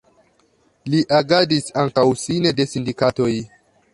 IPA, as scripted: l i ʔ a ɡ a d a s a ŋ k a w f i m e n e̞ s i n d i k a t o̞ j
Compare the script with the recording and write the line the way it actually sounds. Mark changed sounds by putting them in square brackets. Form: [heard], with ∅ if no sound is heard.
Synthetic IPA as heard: l i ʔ a ɡ a d [i] s a ŋ k a w [s] i [n] e [d] e̞ s i n d i k a t o̞ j